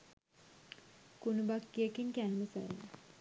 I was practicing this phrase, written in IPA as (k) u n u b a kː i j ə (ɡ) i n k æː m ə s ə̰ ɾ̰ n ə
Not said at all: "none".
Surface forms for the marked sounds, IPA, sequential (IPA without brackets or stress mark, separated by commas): k, k